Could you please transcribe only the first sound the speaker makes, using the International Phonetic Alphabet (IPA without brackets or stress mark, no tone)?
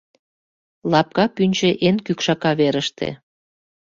l